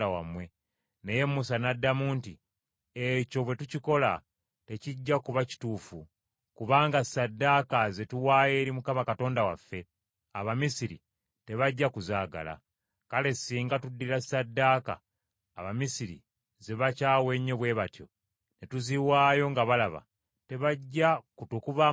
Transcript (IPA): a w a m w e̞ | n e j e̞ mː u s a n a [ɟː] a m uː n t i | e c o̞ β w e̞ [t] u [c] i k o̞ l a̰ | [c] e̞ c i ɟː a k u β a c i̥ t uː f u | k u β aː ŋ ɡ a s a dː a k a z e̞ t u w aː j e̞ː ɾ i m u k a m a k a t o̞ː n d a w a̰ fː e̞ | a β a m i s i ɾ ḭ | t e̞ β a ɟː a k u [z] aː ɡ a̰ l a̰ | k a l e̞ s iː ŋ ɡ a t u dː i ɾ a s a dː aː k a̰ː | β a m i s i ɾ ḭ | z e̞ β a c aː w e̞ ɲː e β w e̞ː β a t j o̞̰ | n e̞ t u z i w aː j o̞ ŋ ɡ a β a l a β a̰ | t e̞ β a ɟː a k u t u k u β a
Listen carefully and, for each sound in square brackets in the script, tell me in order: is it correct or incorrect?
incorrect, correct, correct, incorrect, correct

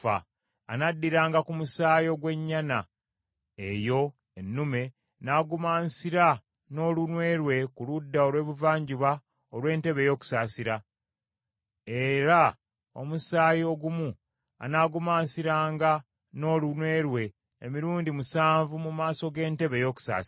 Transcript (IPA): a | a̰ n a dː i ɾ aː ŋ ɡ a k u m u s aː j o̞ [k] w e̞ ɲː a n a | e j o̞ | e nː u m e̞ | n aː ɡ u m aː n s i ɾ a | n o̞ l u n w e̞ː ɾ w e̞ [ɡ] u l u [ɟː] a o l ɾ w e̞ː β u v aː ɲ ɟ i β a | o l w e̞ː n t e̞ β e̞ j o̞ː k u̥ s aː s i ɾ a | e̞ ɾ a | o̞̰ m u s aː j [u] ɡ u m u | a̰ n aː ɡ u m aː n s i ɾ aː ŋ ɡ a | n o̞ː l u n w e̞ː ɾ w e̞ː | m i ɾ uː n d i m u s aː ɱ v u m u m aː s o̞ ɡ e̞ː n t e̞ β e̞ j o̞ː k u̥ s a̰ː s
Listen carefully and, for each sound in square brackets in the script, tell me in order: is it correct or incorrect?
incorrect, incorrect, incorrect, incorrect

